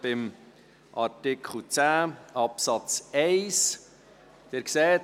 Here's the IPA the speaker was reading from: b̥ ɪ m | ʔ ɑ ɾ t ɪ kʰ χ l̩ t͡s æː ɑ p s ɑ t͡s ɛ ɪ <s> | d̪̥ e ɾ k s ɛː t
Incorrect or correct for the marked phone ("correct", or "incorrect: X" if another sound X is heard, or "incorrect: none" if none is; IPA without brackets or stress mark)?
correct